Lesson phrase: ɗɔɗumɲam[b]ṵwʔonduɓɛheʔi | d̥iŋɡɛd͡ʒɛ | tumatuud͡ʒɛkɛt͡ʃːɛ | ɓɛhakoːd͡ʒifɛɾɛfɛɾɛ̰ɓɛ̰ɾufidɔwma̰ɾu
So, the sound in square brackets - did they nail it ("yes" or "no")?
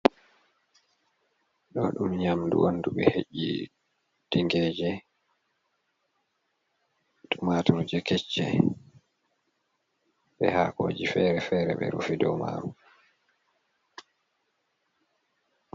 no